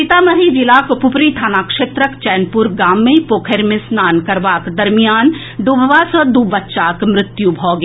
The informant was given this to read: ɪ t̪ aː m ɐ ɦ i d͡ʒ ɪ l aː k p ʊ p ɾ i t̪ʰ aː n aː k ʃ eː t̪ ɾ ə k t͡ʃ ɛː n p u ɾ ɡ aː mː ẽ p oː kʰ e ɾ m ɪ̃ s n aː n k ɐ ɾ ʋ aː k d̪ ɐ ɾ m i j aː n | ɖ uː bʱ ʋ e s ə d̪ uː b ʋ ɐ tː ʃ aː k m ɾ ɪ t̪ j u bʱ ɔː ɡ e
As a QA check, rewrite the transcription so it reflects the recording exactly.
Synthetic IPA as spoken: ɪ t̪ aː m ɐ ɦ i d͡ʒ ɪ l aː k p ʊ p ɾ i t̪ʰ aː n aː k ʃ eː t̪ ɾ ə k t͡ʃ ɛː n p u ɾ ɡ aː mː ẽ p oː kʰ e ɾ m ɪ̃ s n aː n k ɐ ɾ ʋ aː k d̪ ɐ ɾ m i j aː n | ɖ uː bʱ ʋ a s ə d̪ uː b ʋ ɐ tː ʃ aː k m ɾ ɪ t̪ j u bʱ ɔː ɡ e